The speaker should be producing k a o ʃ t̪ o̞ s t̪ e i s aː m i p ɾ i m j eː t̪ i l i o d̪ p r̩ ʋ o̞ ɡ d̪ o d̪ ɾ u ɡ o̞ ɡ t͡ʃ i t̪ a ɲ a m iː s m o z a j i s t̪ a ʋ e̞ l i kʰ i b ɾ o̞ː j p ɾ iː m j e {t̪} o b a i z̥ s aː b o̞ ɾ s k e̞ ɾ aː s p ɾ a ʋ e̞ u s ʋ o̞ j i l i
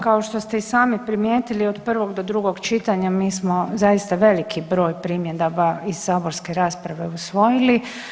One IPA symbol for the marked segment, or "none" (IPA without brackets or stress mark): d̪